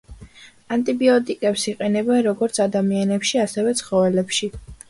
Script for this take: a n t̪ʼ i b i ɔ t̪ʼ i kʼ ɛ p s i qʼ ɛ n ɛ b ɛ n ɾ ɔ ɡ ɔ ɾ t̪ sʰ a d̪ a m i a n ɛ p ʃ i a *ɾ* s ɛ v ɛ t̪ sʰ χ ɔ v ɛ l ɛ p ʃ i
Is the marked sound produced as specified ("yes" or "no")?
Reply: no